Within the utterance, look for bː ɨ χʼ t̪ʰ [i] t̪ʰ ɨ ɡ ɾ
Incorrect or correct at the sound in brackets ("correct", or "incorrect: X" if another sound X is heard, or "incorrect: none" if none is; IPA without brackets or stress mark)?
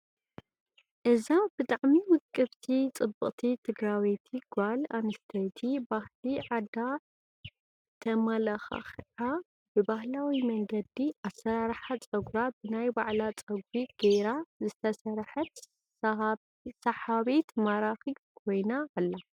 correct